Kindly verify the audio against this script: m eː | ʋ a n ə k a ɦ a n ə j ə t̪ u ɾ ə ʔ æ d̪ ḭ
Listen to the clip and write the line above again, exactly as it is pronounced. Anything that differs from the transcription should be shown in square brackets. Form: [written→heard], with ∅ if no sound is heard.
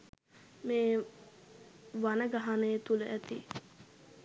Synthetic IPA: m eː | ʋ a n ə [k→ɡ] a ɦ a n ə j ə t̪ u [ɾ→l] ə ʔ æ [d̪→t̪] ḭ